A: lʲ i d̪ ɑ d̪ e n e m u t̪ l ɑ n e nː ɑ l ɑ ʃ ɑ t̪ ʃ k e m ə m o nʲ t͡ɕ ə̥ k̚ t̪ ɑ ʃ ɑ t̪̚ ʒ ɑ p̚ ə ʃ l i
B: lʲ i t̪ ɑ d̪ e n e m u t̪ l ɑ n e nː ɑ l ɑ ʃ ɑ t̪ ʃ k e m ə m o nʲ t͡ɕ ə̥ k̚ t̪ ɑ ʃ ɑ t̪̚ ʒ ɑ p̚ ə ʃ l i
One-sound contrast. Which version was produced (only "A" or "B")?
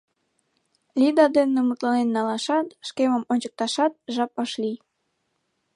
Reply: A